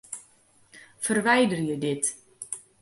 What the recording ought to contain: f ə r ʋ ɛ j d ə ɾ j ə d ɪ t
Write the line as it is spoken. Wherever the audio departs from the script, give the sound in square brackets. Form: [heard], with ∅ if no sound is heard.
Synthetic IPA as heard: f ə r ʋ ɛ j d ə [r] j ə d ɪ t